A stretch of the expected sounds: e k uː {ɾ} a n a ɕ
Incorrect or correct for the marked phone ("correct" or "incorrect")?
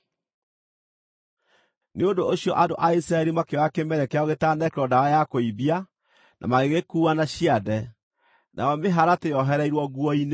incorrect